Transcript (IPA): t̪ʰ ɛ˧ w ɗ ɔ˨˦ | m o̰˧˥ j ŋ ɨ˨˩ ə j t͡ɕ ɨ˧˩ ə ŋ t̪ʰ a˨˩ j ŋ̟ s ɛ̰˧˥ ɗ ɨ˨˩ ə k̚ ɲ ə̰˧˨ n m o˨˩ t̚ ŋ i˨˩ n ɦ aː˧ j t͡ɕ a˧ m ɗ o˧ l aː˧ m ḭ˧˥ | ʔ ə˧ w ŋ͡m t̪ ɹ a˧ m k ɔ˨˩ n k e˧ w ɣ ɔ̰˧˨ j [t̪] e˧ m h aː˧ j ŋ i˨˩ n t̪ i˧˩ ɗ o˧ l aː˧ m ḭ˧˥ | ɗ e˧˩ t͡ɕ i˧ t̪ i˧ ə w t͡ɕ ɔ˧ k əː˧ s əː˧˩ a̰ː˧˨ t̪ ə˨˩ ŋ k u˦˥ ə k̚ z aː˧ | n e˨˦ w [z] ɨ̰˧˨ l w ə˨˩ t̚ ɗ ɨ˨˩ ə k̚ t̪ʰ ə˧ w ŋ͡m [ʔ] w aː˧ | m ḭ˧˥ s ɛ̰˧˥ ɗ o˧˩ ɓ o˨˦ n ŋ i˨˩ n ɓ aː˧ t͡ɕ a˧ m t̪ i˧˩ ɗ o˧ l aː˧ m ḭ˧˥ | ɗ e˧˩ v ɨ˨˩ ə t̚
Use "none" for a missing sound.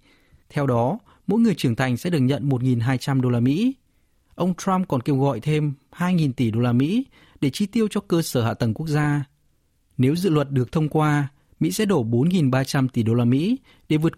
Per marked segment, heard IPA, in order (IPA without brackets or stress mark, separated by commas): t̪ʰ, z, k